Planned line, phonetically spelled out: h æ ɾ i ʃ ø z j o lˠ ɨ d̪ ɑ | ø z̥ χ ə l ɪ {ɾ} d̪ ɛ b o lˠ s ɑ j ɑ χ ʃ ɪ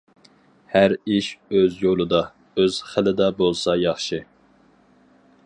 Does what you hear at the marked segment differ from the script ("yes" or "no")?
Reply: yes